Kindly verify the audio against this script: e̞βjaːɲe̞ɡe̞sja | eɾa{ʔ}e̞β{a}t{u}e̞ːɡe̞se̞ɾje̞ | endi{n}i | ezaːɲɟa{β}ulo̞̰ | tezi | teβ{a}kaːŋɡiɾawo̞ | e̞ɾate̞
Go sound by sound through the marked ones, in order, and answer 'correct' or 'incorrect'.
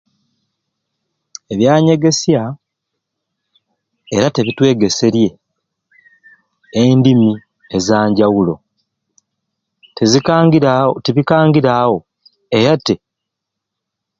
incorrect: t, incorrect: i, incorrect: w, incorrect: m, incorrect: w, incorrect: i

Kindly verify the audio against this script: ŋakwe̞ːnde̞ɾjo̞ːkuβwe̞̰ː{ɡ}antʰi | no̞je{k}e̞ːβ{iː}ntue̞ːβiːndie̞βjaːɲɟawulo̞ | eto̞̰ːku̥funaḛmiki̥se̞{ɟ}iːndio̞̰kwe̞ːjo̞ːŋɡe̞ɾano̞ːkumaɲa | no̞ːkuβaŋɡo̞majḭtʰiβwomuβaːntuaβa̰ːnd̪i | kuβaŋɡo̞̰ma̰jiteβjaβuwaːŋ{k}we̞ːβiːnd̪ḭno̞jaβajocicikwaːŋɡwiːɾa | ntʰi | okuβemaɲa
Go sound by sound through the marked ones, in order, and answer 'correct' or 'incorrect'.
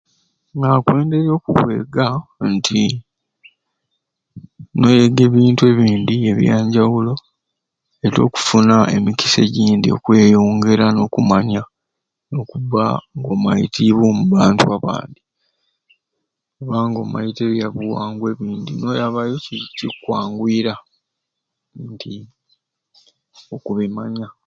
correct, incorrect: ɡ, correct, correct, incorrect: ɡ

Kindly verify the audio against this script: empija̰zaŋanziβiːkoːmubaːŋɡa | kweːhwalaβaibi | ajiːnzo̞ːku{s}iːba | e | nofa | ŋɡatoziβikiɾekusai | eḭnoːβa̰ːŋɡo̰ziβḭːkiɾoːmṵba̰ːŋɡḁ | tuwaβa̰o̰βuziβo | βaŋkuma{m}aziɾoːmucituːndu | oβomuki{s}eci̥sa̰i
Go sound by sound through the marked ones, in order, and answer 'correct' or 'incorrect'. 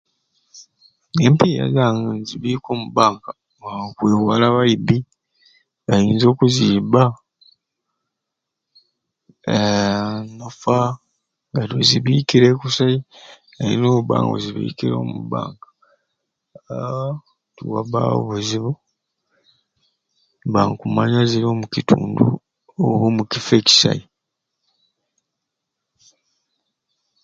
incorrect: z, incorrect: ɲ, incorrect: f

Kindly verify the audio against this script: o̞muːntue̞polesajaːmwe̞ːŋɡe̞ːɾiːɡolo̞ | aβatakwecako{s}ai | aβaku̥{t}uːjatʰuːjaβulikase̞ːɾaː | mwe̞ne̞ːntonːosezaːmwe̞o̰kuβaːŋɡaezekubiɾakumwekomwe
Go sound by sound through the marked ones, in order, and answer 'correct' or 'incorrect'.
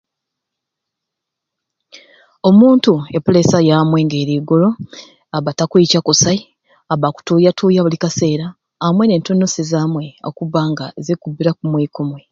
correct, correct

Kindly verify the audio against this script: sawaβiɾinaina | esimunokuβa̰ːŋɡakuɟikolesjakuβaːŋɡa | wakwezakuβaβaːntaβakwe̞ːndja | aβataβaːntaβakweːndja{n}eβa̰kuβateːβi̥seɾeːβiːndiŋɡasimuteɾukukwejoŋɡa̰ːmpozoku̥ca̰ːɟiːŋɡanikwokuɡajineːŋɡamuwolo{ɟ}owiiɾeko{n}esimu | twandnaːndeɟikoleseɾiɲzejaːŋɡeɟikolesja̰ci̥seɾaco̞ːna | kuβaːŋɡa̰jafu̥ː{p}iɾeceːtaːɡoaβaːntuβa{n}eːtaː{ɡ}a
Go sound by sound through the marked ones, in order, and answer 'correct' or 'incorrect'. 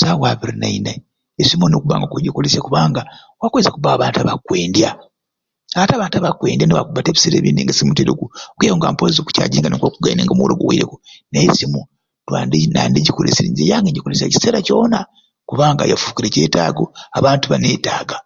correct, incorrect: ɡ, correct, incorrect: k, correct, correct

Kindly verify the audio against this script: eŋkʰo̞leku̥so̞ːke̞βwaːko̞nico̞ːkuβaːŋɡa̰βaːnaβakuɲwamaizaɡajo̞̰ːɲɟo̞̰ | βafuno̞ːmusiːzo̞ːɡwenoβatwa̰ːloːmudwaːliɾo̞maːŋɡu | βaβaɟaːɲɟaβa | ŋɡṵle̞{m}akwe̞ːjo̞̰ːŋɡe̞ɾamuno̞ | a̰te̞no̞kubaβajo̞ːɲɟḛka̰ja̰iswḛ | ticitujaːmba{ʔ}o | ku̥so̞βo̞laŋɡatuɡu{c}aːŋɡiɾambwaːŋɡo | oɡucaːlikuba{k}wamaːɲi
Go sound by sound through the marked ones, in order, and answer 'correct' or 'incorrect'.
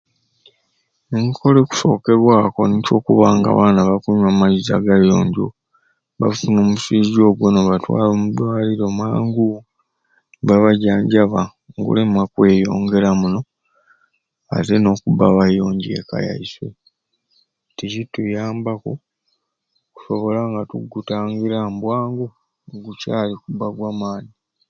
correct, incorrect: k, incorrect: t, incorrect: ɡ

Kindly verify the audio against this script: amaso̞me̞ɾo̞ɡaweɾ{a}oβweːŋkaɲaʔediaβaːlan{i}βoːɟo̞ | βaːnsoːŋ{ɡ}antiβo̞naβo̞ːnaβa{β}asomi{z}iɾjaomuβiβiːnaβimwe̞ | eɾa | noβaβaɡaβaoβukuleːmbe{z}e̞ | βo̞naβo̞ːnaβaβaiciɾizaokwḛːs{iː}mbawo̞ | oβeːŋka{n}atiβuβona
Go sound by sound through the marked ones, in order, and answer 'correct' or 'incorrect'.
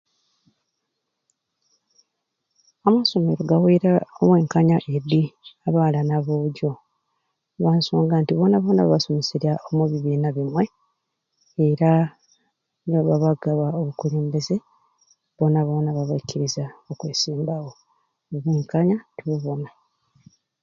correct, incorrect: a, correct, correct, incorrect: s, correct, correct, incorrect: ɲ

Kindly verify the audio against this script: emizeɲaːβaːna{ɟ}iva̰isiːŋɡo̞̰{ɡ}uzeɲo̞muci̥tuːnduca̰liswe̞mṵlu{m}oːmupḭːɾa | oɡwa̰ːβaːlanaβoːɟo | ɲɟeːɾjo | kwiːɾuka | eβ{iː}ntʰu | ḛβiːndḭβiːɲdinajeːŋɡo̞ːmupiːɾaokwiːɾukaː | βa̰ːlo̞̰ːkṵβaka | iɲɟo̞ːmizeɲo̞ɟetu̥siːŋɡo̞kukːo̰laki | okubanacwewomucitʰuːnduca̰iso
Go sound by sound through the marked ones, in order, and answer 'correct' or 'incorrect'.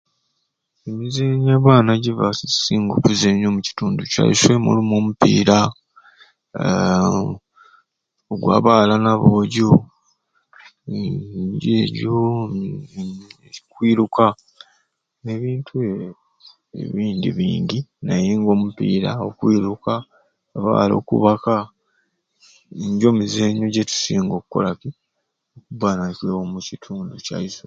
correct, incorrect: k, correct, correct

